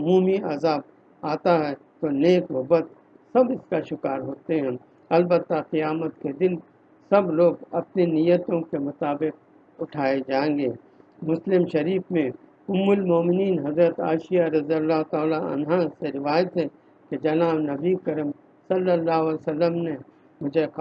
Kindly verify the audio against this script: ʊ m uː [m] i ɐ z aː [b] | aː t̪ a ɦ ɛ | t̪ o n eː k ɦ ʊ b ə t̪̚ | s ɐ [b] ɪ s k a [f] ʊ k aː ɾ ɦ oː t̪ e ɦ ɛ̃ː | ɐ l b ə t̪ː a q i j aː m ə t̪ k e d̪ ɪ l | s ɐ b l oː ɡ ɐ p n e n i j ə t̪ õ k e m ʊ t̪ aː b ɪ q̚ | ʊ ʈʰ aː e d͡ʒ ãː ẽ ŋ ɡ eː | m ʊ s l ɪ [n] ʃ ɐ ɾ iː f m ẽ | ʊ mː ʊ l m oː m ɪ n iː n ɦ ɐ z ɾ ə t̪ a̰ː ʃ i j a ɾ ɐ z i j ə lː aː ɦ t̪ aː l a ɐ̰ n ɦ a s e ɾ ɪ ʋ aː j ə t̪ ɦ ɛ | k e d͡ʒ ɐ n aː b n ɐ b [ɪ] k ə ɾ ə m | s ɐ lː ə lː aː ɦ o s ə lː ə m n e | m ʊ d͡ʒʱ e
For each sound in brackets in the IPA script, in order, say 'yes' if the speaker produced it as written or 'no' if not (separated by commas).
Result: yes, yes, yes, no, no, no